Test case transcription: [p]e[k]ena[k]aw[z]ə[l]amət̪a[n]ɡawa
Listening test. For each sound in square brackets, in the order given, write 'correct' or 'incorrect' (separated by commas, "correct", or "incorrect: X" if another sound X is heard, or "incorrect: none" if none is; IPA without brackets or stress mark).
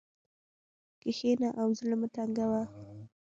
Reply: incorrect: k, incorrect: x, incorrect: ʔ, correct, correct, incorrect: ŋ